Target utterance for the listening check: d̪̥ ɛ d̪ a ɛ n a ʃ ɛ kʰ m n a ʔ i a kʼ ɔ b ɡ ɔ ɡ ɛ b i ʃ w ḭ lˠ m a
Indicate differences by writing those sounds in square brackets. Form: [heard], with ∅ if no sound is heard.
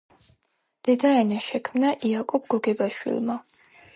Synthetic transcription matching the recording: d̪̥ ɛ d̪ a ɛ n a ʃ ɛ kʰ m n a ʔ i a kʼ ɔ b ɡ ɔ ɡ ɛ b [a] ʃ w ḭ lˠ m a